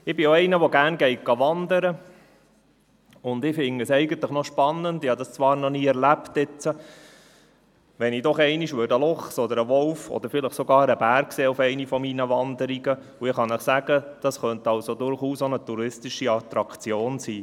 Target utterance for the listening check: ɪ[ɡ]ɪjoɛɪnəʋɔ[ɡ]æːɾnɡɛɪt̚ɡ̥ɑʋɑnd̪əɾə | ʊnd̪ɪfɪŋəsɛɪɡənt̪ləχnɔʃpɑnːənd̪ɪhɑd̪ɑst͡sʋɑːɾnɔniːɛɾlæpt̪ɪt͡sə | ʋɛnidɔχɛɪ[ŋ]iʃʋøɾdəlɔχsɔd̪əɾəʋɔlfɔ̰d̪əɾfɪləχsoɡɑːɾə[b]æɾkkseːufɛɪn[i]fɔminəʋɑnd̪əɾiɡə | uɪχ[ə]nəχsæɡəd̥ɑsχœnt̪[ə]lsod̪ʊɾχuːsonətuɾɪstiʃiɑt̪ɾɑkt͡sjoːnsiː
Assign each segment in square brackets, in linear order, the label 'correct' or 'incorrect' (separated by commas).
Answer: incorrect, correct, incorrect, correct, correct, incorrect, incorrect